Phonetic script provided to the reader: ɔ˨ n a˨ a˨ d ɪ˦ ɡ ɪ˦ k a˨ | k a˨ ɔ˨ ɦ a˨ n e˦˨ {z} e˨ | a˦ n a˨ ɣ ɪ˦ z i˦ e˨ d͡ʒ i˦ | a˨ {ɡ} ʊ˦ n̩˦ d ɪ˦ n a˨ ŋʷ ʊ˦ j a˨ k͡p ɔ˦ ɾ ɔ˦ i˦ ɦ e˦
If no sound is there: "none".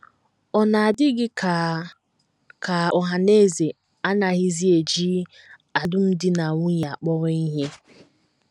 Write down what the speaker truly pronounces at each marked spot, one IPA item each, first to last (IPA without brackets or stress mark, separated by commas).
z, d